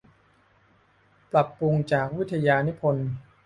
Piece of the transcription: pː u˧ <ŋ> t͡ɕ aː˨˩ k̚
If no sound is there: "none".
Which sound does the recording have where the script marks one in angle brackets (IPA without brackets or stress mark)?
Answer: ŋ